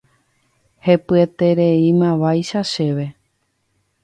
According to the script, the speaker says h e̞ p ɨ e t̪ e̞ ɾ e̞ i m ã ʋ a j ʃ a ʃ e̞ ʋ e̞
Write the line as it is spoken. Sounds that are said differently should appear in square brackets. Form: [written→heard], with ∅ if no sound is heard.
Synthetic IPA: h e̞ p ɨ e t̪ e̞ ɾ e̞ i m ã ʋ a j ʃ a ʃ e̞ ʋ e̞